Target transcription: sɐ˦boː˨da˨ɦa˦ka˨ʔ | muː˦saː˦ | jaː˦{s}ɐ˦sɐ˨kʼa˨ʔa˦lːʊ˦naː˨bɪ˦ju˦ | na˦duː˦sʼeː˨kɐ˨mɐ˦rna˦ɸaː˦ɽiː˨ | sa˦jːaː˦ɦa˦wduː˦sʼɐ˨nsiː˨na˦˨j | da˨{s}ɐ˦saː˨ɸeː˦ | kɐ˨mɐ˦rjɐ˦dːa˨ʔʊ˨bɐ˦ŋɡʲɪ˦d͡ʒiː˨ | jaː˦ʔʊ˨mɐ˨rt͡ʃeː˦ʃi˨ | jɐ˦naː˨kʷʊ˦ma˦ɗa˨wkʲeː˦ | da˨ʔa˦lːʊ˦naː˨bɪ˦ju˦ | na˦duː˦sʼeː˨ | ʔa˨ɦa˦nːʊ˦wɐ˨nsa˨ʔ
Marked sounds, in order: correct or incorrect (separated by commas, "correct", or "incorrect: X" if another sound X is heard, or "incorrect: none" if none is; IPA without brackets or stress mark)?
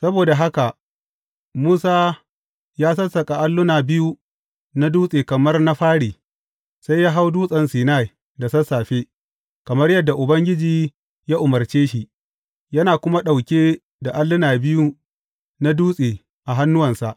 correct, correct